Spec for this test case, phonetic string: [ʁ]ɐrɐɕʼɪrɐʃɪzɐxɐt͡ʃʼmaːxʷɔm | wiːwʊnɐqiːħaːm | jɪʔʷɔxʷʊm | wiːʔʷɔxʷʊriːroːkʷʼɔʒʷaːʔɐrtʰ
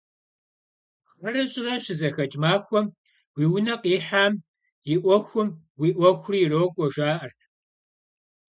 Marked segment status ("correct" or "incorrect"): incorrect